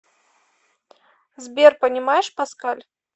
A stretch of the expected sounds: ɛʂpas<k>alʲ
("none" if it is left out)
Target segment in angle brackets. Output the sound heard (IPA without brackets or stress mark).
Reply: k